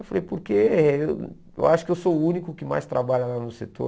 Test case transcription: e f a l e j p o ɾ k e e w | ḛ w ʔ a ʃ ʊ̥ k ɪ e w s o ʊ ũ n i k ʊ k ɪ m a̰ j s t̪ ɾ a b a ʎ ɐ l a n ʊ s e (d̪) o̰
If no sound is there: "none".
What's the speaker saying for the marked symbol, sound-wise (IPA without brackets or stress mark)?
t̪